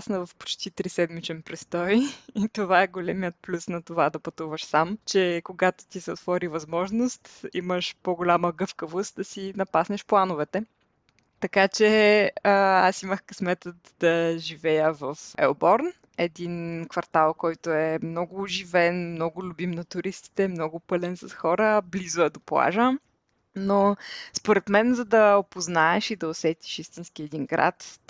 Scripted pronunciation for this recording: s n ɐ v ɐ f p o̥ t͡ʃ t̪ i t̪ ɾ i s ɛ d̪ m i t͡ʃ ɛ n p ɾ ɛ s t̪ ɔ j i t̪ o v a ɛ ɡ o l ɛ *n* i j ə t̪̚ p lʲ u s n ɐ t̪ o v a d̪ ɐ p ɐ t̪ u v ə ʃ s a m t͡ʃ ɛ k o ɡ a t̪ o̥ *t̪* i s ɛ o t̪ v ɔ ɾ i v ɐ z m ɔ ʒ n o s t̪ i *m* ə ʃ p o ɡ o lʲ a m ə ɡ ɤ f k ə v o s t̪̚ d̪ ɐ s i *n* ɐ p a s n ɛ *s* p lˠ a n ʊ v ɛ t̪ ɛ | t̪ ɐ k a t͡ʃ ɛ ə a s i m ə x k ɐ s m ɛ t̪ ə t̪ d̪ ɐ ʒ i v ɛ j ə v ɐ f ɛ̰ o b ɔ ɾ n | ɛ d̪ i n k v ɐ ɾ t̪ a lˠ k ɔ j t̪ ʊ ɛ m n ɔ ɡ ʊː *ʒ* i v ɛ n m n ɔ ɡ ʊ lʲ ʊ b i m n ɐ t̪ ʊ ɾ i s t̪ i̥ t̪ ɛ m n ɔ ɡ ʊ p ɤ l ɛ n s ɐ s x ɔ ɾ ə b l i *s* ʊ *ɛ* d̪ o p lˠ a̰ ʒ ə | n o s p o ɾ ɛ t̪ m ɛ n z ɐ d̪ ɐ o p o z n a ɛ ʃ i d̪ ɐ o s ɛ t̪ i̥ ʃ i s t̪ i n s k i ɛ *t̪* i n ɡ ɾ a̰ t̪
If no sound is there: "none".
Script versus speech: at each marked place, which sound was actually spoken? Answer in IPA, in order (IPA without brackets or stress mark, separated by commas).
m, t̪, m, n, ʃ, ʒ, z, ɛ, d̪